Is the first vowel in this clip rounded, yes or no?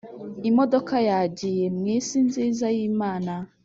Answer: no